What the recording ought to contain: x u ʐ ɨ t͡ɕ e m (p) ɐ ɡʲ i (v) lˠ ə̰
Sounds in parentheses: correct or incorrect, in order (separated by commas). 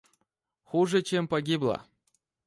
correct, incorrect